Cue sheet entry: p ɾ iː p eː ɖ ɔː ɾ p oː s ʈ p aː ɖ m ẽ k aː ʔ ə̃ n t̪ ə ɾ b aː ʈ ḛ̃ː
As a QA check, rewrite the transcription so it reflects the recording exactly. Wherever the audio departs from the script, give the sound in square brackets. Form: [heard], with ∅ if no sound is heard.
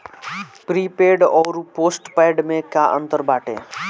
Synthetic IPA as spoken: p ɾ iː p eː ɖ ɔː ɾ p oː s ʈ p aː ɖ m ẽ k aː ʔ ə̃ n t̪ ə ɾ b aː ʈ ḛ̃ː